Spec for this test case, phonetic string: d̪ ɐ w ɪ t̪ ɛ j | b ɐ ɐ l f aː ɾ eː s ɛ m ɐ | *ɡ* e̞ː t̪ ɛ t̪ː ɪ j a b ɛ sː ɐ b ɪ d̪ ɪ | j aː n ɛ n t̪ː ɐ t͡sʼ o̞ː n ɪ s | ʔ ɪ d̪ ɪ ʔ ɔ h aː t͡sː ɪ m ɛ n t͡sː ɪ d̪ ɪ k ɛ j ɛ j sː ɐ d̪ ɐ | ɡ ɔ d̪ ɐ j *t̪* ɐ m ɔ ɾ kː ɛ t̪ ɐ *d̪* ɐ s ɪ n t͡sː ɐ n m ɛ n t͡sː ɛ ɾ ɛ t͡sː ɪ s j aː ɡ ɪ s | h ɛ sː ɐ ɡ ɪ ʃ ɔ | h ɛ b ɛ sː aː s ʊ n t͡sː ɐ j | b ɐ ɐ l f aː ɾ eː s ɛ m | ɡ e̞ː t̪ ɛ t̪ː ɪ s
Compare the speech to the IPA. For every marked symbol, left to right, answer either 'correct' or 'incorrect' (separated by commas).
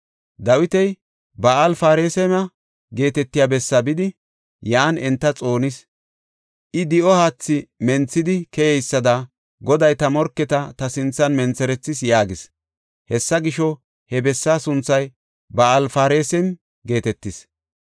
correct, correct, incorrect